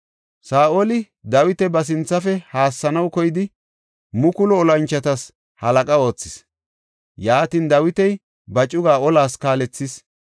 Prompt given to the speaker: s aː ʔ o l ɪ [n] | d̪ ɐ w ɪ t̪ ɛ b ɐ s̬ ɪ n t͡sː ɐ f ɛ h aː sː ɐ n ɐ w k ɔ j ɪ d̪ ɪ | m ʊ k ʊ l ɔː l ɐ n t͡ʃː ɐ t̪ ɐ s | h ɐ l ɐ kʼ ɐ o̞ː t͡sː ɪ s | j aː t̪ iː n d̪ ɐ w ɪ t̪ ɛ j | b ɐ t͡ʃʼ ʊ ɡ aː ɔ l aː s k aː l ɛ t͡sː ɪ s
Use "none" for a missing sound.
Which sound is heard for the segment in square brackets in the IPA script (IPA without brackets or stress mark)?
none